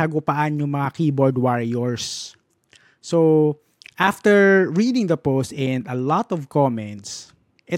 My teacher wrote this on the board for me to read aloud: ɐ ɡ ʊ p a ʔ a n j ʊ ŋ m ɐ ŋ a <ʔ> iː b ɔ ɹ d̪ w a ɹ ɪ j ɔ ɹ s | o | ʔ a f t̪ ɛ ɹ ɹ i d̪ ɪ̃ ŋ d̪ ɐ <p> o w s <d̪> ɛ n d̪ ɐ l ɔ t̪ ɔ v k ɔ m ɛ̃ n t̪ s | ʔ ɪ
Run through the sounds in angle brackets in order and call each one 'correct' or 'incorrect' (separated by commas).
incorrect, correct, incorrect